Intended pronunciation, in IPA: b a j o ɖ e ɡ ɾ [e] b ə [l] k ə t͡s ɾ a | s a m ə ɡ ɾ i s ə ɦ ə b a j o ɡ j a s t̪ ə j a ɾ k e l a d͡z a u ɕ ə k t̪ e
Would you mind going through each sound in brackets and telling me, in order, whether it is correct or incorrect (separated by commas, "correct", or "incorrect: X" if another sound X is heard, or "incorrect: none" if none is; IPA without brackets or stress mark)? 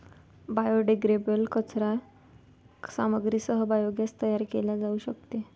correct, correct